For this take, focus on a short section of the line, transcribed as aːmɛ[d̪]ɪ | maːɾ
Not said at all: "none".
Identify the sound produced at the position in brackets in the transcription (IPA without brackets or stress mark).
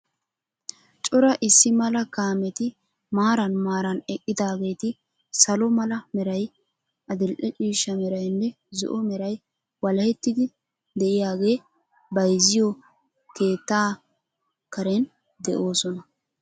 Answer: t̪